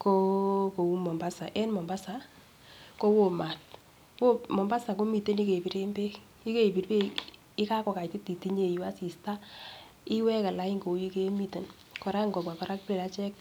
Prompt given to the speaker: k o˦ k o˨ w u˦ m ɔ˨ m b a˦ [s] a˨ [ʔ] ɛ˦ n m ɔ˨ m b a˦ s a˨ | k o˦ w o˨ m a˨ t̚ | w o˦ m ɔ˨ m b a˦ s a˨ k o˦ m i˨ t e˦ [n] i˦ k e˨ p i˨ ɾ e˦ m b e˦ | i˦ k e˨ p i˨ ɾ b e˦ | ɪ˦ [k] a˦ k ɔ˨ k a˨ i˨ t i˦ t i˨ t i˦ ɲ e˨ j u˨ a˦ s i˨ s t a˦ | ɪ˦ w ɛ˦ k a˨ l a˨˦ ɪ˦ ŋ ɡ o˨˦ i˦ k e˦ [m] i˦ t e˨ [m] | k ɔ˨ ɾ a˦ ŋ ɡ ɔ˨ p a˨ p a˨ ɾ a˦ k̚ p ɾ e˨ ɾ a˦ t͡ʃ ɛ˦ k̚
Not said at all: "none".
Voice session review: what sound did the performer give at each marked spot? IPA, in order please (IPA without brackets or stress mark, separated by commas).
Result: s, ʔ, n, k, m, n